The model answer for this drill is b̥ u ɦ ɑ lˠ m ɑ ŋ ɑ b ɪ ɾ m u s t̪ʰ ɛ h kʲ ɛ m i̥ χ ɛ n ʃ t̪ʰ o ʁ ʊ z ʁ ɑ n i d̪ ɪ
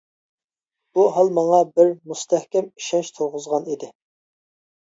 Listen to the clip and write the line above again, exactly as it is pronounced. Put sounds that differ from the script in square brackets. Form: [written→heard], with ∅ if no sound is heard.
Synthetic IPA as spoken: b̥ u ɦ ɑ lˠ m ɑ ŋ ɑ b ɪ ɾ m u s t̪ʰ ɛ h kʲ ɛ m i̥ [χ→ʃ] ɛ n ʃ t̪ʰ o ʁ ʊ z ʁ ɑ n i d̪ ɪ